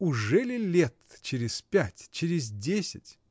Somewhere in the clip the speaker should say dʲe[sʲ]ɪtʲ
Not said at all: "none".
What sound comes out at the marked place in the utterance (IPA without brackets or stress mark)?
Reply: sʲ